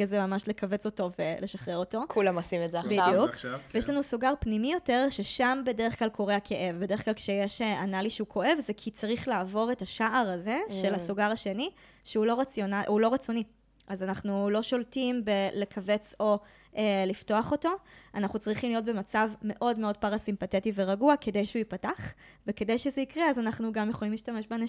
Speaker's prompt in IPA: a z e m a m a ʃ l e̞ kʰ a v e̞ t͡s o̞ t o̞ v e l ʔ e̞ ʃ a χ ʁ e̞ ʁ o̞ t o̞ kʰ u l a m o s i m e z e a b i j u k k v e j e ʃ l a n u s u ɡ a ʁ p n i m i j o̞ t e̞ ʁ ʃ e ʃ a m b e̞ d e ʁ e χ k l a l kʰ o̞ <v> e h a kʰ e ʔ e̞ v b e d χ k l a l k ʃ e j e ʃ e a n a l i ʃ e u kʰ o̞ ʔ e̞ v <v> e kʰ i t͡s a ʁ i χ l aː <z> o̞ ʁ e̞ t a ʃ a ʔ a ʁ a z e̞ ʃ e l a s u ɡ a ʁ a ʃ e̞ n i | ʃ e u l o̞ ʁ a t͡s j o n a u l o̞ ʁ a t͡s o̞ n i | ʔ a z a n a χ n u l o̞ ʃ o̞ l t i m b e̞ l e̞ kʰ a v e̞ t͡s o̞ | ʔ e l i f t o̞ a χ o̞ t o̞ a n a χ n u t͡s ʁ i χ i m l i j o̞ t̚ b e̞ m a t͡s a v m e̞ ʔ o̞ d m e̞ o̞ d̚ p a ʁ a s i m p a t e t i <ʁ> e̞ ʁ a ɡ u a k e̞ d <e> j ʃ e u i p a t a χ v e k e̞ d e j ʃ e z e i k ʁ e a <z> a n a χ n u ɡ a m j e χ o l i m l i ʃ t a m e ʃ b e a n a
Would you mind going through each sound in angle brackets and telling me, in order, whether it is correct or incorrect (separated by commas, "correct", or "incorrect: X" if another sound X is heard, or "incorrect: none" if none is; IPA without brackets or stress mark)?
incorrect: ʁ, incorrect: z, incorrect: v, incorrect: v, correct, correct